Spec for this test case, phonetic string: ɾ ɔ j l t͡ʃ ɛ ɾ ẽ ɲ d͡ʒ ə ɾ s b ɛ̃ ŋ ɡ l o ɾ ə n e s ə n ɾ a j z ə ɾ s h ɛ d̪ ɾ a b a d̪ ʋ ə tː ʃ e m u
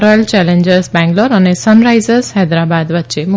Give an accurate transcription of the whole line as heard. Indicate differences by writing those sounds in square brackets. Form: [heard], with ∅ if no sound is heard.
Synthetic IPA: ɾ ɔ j l t͡ʃ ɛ [l] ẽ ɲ d͡ʒ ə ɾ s b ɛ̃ ŋ ɡ l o ɾ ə n e s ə n ɾ a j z ə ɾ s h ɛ d̪ ɾ a b a d̪ ʋ ə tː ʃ e m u